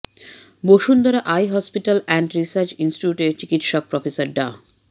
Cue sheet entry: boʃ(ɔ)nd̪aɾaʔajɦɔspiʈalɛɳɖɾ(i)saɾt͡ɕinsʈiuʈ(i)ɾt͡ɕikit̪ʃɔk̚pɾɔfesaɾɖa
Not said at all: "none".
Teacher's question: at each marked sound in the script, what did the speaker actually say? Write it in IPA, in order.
u, i, e

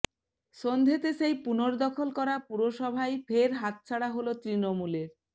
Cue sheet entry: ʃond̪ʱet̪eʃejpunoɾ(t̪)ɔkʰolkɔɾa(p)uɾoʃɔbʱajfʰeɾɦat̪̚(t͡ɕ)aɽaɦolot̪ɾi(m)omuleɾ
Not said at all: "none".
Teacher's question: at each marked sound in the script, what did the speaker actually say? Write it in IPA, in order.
d̪, p, t͡ɕʰ, n

